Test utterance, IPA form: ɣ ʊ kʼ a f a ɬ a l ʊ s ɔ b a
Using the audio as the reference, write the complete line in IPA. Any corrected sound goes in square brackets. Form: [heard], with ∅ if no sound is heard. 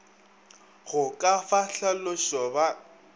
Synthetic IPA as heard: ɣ ʊ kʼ a f a ɬ a l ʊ [ʃ] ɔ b a